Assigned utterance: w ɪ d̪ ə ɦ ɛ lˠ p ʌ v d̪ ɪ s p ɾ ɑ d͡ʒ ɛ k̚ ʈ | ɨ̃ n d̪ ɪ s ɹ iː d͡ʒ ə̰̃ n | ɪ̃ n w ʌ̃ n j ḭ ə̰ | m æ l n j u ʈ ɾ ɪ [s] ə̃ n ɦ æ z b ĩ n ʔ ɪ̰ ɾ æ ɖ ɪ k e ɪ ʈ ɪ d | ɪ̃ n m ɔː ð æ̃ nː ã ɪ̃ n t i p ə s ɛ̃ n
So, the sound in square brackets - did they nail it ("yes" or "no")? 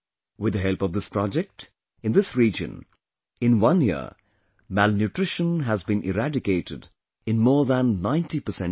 no